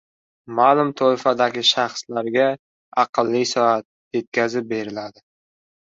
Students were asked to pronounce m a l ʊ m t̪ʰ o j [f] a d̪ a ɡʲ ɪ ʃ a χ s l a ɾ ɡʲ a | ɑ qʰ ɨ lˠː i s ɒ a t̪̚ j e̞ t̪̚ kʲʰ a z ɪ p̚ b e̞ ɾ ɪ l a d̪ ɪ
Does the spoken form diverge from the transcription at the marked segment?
no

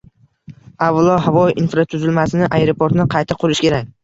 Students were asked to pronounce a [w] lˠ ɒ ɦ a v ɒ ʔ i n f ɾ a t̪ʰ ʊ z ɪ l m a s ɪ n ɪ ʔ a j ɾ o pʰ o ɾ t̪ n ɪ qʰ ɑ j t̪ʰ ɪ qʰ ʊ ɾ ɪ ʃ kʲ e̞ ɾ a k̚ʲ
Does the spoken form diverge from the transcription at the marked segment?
yes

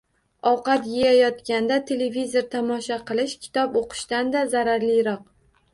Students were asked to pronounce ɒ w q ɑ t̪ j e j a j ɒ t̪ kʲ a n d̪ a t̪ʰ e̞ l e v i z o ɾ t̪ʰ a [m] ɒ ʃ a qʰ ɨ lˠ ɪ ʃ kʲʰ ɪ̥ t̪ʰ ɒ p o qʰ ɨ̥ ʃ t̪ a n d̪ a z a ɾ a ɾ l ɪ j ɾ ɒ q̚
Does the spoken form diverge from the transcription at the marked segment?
no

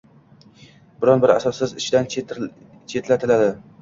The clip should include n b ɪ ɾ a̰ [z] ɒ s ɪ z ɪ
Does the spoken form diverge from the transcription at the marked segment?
yes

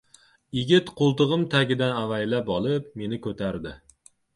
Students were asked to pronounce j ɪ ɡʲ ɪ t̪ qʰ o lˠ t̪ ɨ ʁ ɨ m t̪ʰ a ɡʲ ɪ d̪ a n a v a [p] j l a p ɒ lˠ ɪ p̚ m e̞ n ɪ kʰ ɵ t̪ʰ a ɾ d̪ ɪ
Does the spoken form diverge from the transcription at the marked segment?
yes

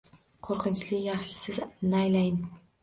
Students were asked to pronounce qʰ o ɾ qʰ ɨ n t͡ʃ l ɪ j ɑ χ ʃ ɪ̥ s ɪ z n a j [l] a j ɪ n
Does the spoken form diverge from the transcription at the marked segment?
no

